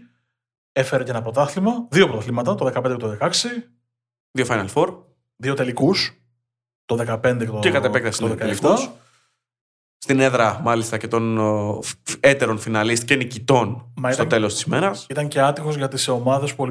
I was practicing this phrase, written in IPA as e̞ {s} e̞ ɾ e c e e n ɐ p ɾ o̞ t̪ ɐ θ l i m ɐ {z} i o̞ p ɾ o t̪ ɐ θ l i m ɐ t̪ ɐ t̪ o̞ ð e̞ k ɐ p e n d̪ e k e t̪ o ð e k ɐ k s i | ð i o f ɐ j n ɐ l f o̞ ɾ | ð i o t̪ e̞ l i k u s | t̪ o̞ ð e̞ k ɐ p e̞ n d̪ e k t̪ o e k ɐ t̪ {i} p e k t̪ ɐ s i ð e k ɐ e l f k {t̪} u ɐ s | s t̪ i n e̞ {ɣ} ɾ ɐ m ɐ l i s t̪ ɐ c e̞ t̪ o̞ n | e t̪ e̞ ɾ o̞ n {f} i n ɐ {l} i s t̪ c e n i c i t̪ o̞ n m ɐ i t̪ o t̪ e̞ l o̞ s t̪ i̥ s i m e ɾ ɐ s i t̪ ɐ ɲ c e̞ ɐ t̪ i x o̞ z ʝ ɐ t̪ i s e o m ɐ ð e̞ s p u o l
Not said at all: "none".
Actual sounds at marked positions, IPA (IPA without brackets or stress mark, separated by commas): f, ð, e, t̪, ð, f, l